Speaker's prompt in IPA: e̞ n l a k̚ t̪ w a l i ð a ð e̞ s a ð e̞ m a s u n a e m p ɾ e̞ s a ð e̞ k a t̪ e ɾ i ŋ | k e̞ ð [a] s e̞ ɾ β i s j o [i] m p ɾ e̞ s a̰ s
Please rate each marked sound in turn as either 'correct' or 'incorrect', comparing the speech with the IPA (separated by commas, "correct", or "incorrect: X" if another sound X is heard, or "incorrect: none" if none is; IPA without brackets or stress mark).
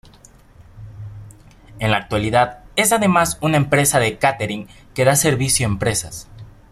correct, incorrect: e